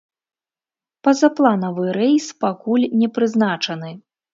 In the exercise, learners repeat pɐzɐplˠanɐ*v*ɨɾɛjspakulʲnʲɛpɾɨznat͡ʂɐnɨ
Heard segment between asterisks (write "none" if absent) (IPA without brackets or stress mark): v